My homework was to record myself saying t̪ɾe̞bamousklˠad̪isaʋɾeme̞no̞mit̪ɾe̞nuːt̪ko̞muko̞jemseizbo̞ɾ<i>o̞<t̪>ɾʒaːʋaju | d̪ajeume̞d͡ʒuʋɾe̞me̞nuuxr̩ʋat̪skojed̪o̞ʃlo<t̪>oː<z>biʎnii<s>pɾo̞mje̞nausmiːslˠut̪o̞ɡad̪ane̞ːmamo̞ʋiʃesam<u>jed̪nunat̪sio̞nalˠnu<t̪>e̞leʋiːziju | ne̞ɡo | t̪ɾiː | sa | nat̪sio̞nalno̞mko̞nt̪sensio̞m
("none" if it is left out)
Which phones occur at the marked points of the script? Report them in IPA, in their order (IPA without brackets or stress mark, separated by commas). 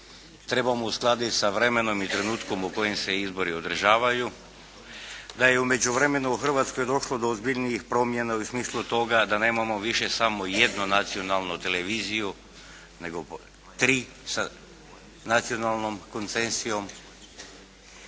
i, d̪, d̪, z, x, o, t̪